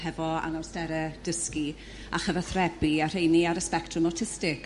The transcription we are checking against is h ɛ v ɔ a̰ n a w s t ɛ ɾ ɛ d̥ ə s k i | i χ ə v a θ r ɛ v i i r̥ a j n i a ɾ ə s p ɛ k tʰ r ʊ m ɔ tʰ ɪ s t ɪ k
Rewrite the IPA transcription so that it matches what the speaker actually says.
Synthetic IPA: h ɛ v ɔ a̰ n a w s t ɛ ɾ ɛ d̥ ə s k i | a χ ə v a θ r ɛ b i a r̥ e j n i a ɾ ə s p ɛ k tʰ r ʊ m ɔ tʰ ɪ s t ɪ k